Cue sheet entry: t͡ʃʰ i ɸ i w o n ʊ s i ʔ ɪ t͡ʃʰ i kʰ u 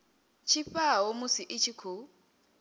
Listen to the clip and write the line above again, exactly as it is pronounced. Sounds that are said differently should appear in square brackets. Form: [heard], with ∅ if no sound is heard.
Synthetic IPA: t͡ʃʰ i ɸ [a] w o [m] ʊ s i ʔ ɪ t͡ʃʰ i kʰ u